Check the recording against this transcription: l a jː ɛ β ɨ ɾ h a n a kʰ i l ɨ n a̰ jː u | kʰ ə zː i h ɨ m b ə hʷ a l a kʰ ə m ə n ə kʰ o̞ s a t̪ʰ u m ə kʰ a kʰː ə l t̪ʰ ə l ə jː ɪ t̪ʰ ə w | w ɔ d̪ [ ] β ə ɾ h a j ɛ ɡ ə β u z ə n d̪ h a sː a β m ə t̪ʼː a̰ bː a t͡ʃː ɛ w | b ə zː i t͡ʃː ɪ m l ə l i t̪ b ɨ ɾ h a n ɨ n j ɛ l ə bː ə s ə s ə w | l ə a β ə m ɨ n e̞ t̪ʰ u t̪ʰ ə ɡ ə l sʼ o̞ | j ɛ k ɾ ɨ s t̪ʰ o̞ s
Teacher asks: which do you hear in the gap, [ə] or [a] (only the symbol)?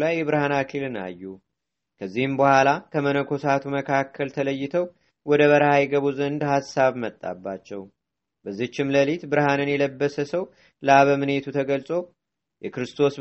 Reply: ə